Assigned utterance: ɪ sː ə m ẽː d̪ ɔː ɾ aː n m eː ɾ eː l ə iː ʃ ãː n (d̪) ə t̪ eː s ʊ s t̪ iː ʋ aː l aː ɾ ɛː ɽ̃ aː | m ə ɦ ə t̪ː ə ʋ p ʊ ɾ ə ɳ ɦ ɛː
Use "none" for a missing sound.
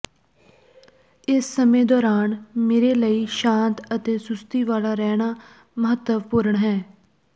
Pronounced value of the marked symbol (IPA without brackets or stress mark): t̪